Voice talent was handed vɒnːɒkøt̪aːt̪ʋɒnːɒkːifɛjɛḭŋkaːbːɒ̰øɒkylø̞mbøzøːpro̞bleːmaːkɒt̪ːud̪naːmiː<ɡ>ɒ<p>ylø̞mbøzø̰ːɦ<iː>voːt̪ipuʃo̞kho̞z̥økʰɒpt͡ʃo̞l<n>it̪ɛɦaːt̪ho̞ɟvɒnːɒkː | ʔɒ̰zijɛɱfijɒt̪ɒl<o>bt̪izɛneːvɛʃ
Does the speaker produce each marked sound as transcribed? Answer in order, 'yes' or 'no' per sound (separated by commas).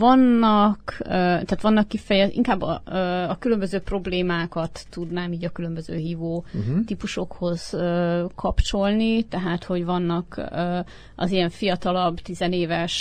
no, no, yes, yes, no